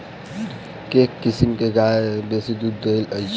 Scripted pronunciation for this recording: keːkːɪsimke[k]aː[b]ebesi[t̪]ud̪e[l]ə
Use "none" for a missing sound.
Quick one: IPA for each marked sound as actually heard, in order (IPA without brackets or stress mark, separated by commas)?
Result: ɡ, none, d̪, l